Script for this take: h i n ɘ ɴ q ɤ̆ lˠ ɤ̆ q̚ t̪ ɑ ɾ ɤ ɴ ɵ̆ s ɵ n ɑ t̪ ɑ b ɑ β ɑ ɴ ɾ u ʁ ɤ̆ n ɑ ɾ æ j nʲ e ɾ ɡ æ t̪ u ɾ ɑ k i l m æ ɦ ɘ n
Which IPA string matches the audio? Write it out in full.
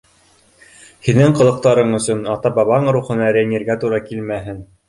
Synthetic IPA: h i n ɘ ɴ q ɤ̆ lˠ ɤ̆ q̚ t̪ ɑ ɾ ɤ ɴ ɵ̆ s ɵ n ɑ t̪ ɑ b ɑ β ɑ ɴ ɾ u χ ɤ̆ n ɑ ɾ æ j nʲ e ɾ ɡ æ t̪ u ɾ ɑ k i l m æ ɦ ɘ n